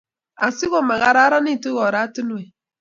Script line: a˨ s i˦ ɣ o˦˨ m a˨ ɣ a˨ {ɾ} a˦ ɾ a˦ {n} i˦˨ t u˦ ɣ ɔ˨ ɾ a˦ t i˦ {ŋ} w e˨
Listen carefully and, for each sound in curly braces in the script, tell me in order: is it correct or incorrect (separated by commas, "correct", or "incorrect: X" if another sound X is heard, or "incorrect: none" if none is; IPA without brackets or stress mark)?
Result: correct, correct, incorrect: n